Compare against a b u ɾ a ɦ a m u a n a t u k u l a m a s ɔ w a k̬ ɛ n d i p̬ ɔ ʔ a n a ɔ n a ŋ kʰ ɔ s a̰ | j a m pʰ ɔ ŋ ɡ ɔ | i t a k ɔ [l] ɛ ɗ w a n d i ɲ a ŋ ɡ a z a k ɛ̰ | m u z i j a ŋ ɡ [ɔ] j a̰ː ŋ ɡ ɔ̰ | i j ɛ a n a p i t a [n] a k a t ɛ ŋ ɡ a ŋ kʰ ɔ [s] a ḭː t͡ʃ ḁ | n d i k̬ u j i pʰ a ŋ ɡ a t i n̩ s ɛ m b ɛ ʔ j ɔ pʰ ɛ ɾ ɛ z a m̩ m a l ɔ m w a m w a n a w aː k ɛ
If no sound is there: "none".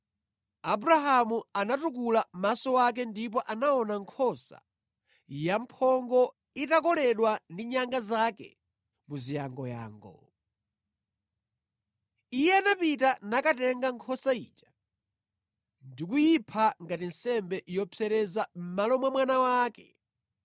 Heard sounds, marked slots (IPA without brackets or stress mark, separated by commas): l, ɔ, n, s